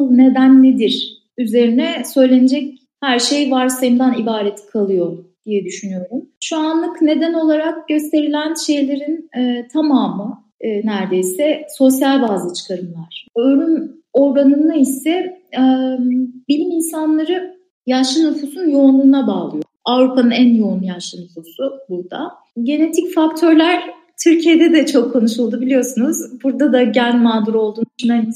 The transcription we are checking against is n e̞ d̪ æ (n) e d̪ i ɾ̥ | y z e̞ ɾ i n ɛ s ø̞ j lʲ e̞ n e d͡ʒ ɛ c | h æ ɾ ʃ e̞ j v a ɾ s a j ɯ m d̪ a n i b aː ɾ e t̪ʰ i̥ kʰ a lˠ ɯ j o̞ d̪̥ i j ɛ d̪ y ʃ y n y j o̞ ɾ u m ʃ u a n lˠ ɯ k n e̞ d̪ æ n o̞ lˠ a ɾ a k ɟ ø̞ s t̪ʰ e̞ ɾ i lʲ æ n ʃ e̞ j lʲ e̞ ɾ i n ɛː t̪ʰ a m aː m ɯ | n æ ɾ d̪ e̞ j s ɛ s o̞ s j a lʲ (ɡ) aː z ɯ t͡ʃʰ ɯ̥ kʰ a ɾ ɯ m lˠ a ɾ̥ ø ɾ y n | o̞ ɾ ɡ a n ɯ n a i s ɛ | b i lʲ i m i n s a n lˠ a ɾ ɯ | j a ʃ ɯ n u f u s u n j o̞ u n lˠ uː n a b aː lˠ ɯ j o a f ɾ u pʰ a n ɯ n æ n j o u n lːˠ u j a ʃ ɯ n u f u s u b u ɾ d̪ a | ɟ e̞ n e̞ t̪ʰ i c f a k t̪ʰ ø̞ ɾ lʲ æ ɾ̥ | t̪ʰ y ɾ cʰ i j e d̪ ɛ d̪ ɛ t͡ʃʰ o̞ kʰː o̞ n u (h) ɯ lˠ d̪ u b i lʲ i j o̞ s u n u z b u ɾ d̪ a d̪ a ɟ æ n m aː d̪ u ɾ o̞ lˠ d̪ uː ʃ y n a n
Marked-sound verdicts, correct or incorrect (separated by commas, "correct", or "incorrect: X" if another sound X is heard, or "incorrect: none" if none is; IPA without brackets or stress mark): incorrect: nː, incorrect: b, incorrect: ʃ